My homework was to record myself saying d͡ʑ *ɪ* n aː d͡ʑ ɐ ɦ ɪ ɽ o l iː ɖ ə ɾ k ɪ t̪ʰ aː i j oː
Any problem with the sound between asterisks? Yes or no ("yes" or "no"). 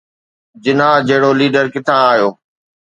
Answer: no